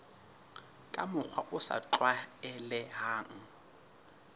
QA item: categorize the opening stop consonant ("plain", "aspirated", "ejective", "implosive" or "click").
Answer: ejective